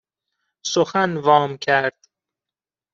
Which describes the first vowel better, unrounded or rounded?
rounded